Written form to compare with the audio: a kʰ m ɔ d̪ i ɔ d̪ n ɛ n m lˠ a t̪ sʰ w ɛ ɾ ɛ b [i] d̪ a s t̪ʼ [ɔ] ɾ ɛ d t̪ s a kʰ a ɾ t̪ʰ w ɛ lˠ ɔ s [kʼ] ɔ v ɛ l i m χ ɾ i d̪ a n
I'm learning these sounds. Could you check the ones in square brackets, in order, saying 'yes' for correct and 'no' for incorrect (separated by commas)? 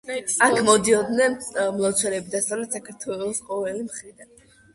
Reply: yes, yes, no